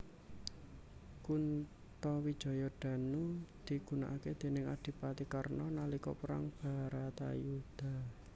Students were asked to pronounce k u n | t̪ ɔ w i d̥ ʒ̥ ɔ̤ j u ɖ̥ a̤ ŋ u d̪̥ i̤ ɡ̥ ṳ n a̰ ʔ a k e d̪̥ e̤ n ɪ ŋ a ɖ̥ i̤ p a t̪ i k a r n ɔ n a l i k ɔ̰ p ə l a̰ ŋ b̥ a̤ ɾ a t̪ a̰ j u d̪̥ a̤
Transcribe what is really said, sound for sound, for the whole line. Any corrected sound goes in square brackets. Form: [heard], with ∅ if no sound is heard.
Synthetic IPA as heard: k u n | t̪ ɔ w i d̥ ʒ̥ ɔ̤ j [ɔ] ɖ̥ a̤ [n] u d̪̥ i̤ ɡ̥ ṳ n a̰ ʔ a k e d̪̥ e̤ n ɪ ŋ a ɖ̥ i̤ p a t̪ i k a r n ɔ n a l i k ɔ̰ p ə [ɾ] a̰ ŋ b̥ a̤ ɾ a t̪ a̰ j u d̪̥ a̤